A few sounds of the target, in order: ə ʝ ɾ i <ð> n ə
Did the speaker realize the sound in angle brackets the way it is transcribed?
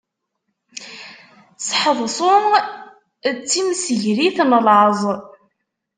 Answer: no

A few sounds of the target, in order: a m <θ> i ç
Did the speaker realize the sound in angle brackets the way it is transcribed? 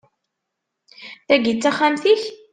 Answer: yes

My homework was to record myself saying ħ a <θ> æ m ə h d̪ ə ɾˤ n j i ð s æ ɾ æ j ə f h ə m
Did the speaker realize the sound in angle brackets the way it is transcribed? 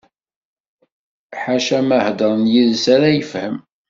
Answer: no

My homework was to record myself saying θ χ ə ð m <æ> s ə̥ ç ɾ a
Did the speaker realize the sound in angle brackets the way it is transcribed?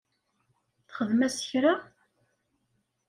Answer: yes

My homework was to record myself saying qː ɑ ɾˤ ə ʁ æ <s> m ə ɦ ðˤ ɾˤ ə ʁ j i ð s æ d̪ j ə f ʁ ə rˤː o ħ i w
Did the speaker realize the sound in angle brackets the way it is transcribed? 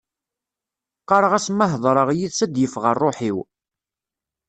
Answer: yes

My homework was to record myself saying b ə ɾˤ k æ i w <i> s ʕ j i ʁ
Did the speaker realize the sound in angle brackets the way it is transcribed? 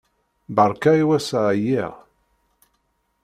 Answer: no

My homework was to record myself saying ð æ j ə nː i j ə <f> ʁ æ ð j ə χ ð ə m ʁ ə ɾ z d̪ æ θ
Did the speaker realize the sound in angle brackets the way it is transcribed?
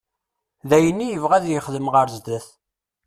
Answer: no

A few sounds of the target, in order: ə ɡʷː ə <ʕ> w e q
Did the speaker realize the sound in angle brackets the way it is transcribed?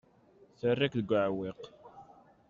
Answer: yes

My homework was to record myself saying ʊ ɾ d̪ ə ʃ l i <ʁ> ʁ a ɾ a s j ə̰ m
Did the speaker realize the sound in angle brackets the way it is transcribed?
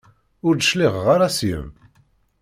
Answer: yes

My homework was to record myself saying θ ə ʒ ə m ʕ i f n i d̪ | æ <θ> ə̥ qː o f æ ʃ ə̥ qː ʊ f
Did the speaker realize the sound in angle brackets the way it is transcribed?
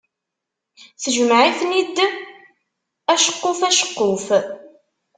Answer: no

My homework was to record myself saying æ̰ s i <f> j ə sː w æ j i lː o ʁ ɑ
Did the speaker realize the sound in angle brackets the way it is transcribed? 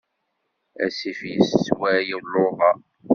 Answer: yes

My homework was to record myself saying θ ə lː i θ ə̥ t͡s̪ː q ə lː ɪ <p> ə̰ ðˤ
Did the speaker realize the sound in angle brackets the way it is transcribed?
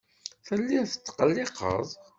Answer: no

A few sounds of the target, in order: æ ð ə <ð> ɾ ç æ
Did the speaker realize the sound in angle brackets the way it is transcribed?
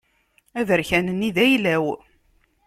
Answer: no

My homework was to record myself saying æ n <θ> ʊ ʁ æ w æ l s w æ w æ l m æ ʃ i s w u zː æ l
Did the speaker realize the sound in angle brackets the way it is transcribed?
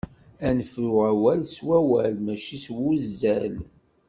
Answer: no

